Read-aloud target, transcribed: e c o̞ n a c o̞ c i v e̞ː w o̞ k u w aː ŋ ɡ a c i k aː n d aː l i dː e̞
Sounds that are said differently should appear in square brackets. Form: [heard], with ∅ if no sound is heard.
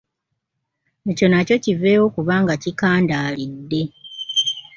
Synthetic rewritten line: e c o̞ n a c o̞ c i v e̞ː w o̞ k u [β] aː ŋ ɡ a c i k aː n d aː l i dː e̞